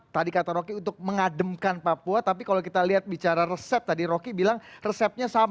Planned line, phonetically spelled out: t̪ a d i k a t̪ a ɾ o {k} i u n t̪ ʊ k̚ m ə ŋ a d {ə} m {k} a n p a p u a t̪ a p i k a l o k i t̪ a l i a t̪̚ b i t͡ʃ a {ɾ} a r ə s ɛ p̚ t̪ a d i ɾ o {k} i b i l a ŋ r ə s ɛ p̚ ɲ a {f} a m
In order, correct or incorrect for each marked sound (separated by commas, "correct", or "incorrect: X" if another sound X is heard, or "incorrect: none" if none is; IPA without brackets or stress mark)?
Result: correct, correct, correct, correct, correct, incorrect: s